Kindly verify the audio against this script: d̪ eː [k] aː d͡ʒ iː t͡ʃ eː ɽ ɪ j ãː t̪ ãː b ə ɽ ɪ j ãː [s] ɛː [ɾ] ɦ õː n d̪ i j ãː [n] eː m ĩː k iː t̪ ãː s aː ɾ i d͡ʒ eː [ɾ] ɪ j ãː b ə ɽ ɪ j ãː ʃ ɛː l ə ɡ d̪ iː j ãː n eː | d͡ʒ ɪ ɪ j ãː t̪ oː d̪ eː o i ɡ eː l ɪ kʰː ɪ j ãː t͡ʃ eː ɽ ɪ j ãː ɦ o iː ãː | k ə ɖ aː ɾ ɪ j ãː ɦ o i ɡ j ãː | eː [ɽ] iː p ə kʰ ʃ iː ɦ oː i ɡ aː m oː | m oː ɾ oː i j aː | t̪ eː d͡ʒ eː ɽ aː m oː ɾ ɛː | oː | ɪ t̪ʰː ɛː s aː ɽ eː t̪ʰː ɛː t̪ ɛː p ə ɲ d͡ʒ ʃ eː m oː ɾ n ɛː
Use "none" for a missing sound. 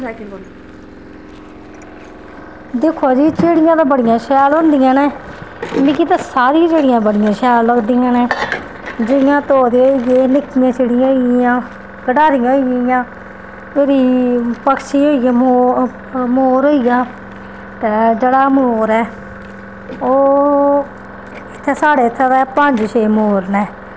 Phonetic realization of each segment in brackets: kʰ, ʃ, l, n, ɽ, ɾ

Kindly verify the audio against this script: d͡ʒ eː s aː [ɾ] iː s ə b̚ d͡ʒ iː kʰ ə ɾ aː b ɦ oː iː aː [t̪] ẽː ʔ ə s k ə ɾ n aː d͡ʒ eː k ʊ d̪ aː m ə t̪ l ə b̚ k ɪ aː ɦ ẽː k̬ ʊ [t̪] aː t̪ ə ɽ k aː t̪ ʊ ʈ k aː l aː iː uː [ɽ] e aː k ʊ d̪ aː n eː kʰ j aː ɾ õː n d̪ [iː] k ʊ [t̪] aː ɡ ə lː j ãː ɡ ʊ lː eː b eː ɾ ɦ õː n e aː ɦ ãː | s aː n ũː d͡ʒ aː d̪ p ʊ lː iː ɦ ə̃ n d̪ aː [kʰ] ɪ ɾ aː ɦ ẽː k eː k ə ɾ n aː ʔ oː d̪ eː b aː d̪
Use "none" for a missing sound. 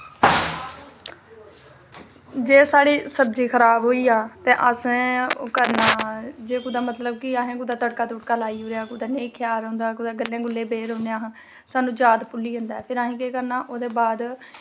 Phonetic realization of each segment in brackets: ɽ, t̪, d̪, ɾ, aː, d̪, pʰ

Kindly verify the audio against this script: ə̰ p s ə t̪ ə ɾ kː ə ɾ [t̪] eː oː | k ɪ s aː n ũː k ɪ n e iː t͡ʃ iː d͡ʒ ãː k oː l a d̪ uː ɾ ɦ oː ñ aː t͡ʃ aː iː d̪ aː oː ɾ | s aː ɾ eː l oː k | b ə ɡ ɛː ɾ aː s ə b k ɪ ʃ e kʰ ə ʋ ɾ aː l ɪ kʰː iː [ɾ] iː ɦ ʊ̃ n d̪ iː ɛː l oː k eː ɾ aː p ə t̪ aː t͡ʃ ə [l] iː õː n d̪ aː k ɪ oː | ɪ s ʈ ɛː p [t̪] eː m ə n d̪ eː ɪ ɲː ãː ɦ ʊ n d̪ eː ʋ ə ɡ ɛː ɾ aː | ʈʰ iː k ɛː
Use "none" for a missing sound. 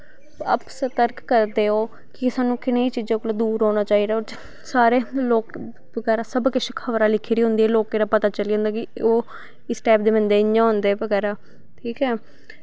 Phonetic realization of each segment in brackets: d̪, ɾ, l, d̪

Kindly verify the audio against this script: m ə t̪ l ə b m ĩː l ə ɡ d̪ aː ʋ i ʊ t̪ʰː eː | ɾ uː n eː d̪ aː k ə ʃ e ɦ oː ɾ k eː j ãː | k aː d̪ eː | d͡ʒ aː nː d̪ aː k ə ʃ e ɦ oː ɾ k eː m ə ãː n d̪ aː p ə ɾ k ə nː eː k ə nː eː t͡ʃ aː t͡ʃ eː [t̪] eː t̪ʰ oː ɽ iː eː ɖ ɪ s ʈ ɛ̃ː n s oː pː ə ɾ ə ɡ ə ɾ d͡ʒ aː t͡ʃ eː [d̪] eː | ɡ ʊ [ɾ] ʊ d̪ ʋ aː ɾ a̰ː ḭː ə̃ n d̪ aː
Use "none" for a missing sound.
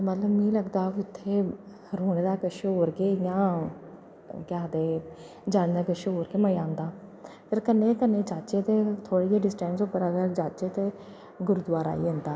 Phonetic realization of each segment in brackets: t̪, t̪, ɾ

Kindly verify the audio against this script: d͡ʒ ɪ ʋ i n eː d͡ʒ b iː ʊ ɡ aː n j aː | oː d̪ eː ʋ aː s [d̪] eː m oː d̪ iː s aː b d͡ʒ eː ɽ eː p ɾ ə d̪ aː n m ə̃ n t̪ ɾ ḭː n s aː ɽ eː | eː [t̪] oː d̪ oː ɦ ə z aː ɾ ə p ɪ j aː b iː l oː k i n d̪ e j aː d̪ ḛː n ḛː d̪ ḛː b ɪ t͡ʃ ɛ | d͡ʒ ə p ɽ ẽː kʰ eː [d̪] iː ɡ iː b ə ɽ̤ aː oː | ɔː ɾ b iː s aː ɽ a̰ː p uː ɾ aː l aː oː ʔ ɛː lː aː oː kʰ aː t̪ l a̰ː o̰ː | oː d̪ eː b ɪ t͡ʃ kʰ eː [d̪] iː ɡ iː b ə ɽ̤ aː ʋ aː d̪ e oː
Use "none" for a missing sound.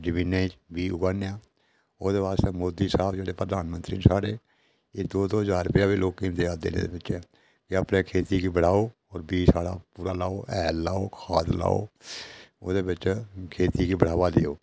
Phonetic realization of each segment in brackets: t̪, d̪, t̪, t̪

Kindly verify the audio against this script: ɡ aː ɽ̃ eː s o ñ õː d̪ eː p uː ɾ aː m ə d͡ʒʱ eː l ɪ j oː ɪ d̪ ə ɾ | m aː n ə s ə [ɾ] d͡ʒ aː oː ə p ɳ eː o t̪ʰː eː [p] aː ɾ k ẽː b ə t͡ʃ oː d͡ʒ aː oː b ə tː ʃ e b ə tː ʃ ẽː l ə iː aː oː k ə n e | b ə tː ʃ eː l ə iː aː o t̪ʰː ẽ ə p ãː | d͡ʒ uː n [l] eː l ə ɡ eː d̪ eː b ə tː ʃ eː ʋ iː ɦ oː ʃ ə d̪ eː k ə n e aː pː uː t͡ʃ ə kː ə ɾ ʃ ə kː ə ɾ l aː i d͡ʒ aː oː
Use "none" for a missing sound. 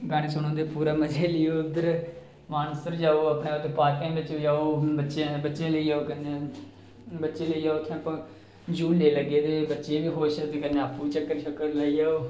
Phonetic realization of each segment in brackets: ɾ, p, l

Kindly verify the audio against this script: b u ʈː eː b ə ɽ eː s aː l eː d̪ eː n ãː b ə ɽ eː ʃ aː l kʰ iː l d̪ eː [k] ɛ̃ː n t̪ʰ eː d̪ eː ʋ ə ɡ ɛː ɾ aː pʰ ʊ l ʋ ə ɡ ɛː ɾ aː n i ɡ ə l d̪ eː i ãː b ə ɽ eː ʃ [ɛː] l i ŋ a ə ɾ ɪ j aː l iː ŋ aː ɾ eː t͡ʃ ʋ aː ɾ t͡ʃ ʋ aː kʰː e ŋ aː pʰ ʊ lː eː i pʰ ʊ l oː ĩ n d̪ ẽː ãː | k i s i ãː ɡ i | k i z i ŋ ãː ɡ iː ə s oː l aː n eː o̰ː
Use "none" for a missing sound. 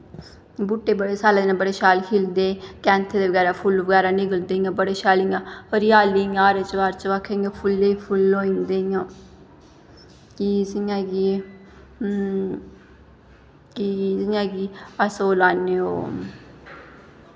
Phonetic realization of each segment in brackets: k, aː

